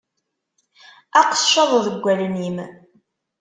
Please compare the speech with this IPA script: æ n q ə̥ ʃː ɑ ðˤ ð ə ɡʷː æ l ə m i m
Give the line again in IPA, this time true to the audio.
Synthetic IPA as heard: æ q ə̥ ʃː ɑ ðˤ ð ə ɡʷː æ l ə n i m